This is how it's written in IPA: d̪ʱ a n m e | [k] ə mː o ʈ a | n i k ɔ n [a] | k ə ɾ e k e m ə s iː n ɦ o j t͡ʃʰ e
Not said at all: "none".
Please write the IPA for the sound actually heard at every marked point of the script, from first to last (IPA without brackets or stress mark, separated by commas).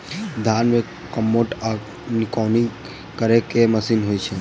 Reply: k, i